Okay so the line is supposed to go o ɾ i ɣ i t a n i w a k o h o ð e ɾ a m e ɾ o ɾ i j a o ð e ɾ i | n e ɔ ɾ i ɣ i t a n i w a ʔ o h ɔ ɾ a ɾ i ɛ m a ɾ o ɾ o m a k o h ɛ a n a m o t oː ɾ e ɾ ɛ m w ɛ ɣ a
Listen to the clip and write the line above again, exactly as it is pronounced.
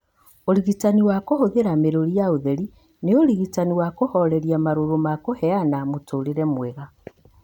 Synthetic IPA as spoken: o ɾ i ɣ i t a n i w a k o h o ð e ɾ a m e ɾ o ɾ i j a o ð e ɾ i | n e o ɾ i ɣ i t a n i w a k o h ɔ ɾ ɛ ɾ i a m a ɾ o ɾ o m a k o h ɛ a n a m o t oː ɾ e ɾ ɛ m w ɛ ɣ a